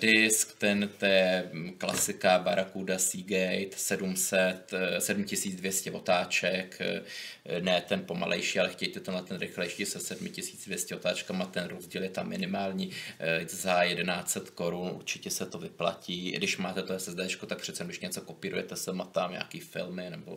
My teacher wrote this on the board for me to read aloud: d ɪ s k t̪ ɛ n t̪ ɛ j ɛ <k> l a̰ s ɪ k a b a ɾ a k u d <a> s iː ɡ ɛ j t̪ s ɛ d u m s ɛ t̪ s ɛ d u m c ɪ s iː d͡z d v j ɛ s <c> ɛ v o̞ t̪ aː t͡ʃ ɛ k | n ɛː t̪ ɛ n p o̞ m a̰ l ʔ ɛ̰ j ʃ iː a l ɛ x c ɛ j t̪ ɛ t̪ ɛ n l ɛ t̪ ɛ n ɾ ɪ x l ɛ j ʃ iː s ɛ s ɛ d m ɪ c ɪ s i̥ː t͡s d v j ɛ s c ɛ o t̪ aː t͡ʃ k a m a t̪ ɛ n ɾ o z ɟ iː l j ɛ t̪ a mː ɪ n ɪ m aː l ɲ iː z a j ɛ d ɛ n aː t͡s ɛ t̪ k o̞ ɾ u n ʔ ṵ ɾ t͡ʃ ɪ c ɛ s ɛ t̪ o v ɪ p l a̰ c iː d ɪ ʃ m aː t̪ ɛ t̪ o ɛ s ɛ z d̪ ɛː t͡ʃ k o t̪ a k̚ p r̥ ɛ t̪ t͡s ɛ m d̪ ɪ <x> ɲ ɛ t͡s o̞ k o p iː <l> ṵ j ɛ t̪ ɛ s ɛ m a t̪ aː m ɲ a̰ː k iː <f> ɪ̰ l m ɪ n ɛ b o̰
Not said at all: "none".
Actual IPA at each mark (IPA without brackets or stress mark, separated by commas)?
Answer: k, a, c, ʃ, ɾ, f